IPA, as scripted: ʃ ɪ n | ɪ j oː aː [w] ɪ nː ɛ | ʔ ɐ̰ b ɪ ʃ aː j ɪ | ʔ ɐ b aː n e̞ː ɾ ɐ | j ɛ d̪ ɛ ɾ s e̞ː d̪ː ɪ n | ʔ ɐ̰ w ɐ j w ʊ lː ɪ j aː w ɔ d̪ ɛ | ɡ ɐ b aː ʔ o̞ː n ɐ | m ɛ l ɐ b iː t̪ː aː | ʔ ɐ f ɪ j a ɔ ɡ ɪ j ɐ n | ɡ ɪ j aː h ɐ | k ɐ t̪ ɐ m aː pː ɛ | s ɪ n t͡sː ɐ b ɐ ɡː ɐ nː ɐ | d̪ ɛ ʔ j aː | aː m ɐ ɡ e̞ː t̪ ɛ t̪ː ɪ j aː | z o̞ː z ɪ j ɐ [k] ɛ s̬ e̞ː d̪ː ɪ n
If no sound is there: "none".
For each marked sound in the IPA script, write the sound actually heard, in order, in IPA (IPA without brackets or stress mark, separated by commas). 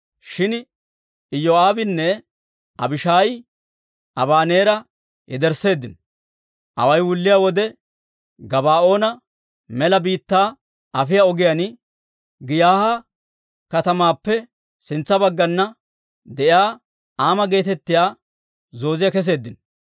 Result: b, k